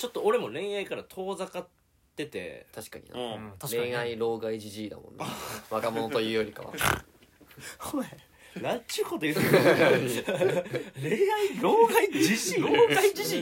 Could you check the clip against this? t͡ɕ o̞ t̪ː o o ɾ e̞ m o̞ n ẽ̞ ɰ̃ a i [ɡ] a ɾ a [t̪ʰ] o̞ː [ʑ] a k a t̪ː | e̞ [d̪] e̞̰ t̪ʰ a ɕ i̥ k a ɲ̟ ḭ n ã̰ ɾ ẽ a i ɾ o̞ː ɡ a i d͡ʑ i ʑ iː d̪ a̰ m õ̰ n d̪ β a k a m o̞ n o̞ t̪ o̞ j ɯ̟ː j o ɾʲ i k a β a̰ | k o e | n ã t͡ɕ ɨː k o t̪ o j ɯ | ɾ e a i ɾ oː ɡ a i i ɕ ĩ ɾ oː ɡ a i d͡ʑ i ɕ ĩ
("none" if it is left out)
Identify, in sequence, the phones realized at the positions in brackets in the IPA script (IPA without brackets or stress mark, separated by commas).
k, t̪ʰ, z, t̪